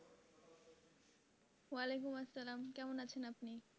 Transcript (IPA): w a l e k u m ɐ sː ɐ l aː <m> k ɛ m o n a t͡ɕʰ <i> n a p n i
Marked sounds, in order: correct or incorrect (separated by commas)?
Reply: correct, incorrect